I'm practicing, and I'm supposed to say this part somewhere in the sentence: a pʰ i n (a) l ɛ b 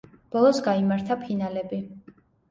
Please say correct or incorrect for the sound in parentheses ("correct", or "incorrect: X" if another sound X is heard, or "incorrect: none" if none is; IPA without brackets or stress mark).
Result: correct